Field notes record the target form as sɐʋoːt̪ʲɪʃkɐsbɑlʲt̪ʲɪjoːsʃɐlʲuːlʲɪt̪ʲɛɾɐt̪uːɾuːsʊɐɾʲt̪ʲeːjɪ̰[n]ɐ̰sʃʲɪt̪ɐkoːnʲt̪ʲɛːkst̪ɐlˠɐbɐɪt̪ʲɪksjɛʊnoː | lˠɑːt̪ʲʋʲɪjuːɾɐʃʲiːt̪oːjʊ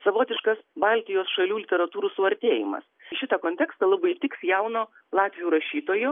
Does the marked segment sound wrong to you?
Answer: yes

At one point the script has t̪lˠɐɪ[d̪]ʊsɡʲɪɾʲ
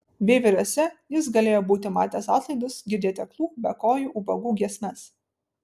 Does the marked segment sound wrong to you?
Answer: no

